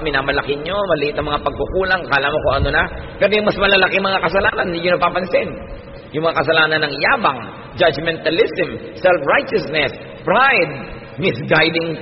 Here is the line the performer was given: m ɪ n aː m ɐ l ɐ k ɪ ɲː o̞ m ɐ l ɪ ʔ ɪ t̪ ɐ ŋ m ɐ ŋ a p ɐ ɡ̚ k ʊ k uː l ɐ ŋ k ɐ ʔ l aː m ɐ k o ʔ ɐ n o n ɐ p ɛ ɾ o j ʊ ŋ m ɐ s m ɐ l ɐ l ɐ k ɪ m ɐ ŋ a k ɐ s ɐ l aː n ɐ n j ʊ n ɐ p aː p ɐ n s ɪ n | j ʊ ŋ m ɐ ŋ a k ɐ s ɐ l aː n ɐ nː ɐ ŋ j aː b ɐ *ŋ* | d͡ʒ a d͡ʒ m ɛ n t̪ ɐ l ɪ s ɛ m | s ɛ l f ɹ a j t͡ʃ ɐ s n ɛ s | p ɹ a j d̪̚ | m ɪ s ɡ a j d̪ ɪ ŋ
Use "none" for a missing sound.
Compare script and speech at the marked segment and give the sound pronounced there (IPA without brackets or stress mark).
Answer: ŋ